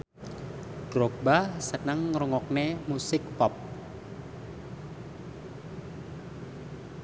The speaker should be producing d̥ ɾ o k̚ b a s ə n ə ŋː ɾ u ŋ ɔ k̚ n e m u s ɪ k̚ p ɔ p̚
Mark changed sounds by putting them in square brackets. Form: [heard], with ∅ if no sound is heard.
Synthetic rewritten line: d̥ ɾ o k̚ b a s ə n ə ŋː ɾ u ŋ ɔ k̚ n e m u s ɪ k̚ p ɔ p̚